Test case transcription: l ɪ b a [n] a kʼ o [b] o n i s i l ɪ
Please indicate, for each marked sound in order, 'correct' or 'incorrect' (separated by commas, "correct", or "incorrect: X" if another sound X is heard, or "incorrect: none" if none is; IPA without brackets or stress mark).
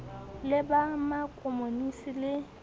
incorrect: m, incorrect: m